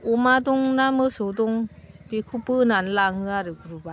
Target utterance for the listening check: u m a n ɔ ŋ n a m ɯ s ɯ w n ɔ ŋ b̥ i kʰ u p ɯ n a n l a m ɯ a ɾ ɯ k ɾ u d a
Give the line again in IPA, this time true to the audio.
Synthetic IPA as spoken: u m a d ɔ ŋ n a m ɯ s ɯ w d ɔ ŋ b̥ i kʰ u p ɯ n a n l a ŋ ɯ a ɾ ɯ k ɾ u b a